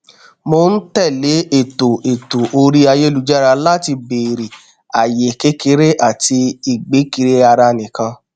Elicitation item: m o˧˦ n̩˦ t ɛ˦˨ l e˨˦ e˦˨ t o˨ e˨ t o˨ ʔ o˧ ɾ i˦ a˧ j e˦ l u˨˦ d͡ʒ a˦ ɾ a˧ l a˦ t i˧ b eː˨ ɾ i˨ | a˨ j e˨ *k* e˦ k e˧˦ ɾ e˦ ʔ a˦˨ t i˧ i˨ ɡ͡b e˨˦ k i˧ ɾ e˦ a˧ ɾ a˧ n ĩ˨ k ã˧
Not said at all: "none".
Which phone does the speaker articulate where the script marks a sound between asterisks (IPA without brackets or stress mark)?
k